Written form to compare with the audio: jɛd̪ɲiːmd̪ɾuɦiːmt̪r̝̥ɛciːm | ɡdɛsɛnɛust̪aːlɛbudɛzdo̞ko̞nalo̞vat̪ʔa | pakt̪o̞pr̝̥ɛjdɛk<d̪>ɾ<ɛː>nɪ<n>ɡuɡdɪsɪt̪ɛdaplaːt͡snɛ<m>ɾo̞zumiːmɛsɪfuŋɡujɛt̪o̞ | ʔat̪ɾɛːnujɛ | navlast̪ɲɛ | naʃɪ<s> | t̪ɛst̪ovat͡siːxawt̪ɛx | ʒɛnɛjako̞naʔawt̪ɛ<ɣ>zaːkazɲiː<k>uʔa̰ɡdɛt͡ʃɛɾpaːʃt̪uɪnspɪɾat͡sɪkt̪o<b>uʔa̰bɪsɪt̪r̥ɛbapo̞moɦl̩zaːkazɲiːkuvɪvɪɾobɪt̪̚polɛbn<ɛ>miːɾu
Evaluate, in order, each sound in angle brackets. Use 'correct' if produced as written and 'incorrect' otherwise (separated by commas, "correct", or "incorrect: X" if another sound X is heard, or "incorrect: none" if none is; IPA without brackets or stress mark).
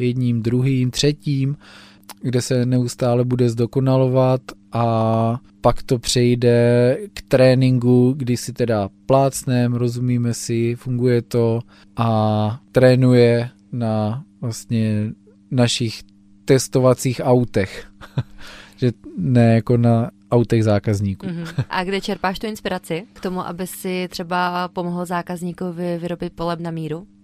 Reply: incorrect: t̪, correct, incorrect: ŋ, correct, incorrect: x, correct, correct, incorrect: m, incorrect: a